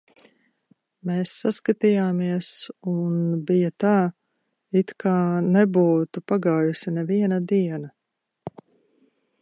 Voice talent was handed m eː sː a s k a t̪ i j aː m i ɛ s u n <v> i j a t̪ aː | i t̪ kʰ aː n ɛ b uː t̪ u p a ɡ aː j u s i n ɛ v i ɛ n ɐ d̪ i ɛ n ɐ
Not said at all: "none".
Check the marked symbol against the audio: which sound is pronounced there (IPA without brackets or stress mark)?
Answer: b